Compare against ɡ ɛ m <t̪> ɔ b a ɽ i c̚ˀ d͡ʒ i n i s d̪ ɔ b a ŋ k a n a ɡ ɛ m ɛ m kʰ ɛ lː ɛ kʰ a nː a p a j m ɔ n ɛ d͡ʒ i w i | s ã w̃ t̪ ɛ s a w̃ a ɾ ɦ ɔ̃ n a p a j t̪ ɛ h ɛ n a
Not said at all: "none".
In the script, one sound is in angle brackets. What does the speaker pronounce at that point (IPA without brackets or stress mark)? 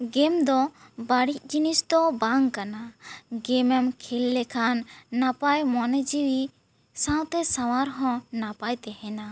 d̪